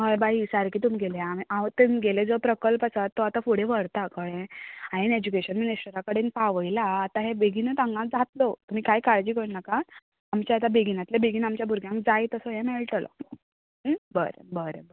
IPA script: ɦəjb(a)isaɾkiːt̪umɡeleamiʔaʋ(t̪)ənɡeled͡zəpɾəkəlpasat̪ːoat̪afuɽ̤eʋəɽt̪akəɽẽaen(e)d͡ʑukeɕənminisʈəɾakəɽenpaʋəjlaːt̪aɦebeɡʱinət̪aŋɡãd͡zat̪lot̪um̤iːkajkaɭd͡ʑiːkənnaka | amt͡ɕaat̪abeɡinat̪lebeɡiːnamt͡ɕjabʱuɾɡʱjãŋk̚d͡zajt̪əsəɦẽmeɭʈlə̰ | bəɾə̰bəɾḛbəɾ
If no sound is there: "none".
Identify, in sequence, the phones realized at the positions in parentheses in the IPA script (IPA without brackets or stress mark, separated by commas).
a, t̪, e